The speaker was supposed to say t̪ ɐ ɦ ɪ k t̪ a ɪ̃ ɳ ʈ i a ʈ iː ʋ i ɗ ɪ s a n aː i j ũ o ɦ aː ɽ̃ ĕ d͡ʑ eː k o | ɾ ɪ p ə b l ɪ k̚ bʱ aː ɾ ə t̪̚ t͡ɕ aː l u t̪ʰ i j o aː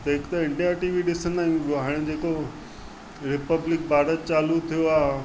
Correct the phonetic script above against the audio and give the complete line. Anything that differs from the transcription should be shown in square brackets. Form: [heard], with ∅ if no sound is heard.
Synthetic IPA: t̪ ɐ ɦ ɪ k t̪ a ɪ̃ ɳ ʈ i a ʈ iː ʋ i ɗ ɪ s [ə] n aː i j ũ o ɦ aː ɽ̃ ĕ d͡ʑ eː k o | ɾ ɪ p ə b l ɪ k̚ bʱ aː ɾ ə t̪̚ t͡ɕ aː l u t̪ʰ i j o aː